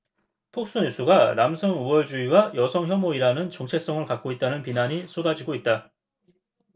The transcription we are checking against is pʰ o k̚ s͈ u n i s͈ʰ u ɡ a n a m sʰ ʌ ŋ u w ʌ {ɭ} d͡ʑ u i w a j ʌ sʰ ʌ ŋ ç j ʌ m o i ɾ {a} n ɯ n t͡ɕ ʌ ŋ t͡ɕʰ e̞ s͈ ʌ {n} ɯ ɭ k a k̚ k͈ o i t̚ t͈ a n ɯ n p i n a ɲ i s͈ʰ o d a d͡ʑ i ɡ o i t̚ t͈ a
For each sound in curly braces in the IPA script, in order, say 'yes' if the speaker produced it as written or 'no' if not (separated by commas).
yes, yes, no